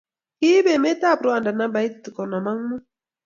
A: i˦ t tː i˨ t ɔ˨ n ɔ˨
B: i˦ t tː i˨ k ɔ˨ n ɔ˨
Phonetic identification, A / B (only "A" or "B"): B